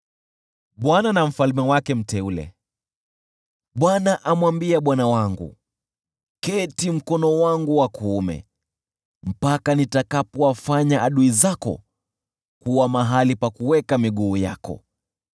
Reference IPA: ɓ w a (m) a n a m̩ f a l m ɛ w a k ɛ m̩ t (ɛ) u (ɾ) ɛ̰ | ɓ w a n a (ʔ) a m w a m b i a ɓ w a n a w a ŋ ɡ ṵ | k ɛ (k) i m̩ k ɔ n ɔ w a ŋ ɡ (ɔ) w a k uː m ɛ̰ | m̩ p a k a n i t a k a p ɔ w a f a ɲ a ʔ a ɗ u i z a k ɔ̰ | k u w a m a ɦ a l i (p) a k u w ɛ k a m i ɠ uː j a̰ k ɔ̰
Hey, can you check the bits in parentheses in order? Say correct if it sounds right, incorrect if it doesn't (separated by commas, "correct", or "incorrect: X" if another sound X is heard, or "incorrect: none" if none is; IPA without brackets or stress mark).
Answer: incorrect: n, correct, incorrect: l, correct, incorrect: t, incorrect: u, correct